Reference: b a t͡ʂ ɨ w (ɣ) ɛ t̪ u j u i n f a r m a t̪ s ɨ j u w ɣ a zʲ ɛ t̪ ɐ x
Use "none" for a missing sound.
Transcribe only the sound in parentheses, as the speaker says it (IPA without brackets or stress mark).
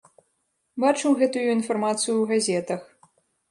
ɣ